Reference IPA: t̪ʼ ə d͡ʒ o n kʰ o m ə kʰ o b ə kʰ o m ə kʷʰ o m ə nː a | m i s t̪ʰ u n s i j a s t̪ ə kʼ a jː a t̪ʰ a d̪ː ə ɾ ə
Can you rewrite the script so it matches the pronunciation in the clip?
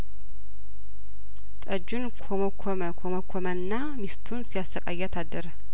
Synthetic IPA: t̪ʼ ə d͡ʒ u n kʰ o m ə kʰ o m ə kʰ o m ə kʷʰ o m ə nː a | m i s t̪ʰ u n s i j a s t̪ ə kʼ a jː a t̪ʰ a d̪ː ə ɾ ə